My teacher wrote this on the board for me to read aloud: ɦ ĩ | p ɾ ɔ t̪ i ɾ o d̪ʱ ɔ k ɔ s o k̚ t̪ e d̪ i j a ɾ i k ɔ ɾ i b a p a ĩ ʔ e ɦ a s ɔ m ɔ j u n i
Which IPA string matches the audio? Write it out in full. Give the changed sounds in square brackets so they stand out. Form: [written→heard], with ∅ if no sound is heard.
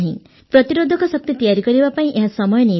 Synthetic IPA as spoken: ɦ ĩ | p ɾ ɔ t̪ i ɾ o d̪ʱ ɔ k ɔ s [o→ɔ] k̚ t̪ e [d̪→t̪] i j a ɾ i k ɔ ɾ i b a p a ĩ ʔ e ɦ a s ɔ m ɔ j [u→ɔ] n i